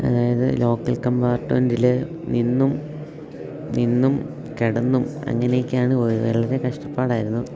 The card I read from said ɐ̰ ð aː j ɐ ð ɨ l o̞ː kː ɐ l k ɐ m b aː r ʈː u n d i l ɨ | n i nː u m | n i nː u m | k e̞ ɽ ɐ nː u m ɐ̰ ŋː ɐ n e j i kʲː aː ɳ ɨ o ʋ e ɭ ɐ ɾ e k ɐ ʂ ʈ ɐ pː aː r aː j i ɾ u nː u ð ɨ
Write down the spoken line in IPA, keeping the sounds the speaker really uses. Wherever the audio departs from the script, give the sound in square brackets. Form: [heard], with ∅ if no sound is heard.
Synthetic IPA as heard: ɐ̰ ð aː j ɐ ð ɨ l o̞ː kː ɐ l k ɐ m b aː r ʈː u n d i l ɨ | n i nː u m | n i nː u m | k e̞ ɽ ɐ nː u m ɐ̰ ŋː ɐ n e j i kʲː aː ɳ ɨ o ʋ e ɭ ɐ ɾ e k ɐ ʂ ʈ ɐ pː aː [ɽ] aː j i ɾ u nː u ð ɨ